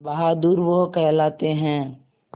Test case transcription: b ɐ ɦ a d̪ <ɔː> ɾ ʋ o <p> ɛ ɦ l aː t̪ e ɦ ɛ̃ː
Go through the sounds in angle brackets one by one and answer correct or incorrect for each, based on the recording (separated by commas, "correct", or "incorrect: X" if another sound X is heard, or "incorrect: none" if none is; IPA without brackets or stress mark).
incorrect: uː, incorrect: k